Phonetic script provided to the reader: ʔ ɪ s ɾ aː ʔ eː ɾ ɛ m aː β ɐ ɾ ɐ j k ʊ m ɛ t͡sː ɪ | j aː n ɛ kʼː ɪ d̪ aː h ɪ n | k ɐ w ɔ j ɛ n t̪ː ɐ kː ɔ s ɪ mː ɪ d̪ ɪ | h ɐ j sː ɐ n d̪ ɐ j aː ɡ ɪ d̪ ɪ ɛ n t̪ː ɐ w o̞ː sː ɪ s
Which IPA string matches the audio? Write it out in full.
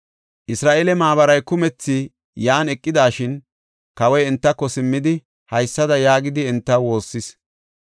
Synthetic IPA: ʔ ɪ s ɾ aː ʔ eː l ɛ m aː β ɐ ɾ ɐ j k ʊ m ɛ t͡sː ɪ | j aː n ɛ kʼː ɪ d̪ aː ʃ ɪ n | k ɐ w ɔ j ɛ n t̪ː ɐ kː ɔ s ɪ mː ɪ d̪ ɪ | h ɐ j sː ɐ d̪ ɐ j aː ɡ ɪ d̪ ɪ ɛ n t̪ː ɐ w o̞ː sː ɪ s